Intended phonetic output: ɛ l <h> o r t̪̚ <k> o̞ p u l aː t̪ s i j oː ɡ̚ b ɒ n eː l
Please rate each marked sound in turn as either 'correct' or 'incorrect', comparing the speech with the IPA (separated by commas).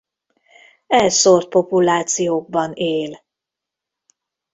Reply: incorrect, incorrect